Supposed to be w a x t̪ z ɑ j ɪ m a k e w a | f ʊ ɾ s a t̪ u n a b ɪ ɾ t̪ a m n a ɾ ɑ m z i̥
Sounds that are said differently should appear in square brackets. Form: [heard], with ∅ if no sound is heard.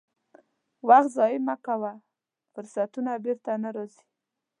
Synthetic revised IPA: w a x t̪ z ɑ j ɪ m a k [a] w a | f ʊ ɾ s a t̪ u n a b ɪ ɾ t̪ a [∅] n a ɾ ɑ [∅] z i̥